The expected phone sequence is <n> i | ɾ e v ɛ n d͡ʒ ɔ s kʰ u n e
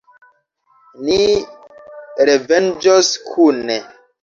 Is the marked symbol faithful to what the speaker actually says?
yes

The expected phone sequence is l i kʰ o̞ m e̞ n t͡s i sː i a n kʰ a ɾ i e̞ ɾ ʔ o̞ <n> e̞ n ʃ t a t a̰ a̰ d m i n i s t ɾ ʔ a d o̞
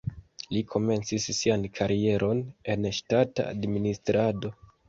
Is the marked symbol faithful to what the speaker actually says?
yes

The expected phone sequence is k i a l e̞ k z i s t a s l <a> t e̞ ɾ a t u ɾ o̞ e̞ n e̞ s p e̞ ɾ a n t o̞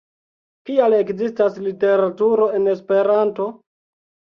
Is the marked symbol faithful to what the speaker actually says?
no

